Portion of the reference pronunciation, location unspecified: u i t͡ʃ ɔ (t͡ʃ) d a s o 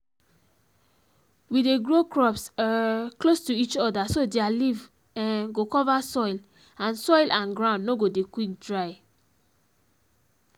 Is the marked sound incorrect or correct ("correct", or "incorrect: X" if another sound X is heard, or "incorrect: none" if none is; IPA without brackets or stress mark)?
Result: incorrect: none